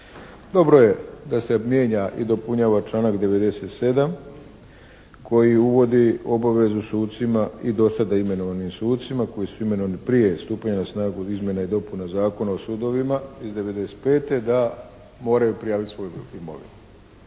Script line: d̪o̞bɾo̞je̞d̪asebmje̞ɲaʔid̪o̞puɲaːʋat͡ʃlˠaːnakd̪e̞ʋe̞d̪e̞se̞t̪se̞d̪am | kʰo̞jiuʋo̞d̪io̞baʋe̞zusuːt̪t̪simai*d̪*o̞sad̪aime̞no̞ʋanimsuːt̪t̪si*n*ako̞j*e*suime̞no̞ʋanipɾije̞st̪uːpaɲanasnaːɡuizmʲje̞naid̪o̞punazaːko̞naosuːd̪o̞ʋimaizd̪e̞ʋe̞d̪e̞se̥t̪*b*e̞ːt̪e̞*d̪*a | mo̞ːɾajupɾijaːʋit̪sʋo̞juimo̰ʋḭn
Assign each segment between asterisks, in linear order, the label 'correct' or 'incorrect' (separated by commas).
correct, incorrect, incorrect, incorrect, correct